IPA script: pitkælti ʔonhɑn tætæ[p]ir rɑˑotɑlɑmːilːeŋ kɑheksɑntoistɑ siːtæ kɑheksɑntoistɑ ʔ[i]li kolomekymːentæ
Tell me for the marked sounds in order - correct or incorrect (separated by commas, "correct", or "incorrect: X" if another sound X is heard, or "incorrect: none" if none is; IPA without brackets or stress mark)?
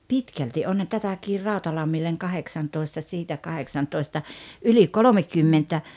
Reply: incorrect: k, incorrect: y